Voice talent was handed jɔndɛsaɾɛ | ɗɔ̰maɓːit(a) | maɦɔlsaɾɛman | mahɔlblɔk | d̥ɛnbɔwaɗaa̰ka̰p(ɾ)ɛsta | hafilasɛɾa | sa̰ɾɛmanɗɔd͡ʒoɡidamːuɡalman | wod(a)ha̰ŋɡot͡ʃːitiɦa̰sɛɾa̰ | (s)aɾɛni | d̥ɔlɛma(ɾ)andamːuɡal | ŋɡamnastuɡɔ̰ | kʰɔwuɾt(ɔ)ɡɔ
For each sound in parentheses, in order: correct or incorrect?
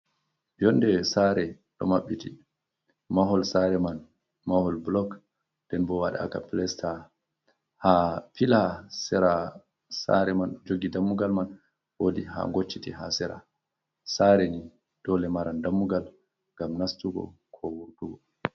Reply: incorrect, incorrect, incorrect, correct, correct, incorrect

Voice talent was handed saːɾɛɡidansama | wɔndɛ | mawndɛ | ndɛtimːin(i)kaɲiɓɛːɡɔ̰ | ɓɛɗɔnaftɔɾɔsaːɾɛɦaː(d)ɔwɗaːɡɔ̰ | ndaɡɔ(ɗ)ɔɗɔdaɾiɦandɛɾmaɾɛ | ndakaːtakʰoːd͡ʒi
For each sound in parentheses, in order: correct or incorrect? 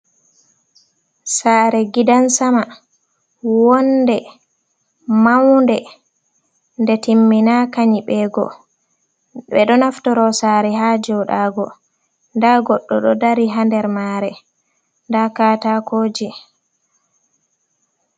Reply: incorrect, incorrect, incorrect

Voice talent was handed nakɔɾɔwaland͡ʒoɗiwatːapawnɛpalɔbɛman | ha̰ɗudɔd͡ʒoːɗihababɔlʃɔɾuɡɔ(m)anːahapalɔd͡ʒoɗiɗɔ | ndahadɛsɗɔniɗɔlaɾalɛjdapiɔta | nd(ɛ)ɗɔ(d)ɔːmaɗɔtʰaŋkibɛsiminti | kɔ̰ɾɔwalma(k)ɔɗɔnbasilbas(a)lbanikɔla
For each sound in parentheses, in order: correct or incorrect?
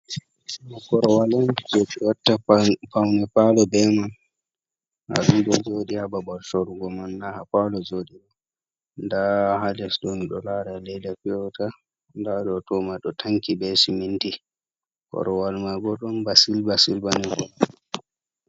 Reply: correct, incorrect, incorrect, incorrect, incorrect

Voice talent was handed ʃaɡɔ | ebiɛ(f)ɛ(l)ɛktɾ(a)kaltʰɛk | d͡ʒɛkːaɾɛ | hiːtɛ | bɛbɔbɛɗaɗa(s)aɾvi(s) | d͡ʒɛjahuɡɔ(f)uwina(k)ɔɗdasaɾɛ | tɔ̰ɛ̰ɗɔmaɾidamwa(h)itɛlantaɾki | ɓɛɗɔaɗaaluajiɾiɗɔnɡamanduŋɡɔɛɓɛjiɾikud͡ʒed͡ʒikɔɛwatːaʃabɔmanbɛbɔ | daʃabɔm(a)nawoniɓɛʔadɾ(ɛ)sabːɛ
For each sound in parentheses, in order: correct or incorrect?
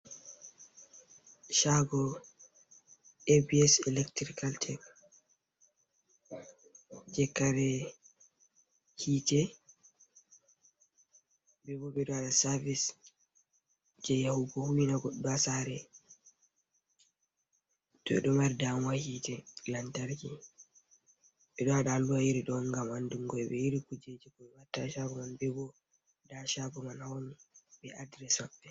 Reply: incorrect, correct, incorrect, correct, correct, incorrect, incorrect, correct, correct, correct

